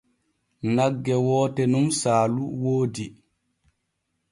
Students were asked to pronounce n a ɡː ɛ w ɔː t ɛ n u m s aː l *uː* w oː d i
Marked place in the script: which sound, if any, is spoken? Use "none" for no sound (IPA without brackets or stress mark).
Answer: u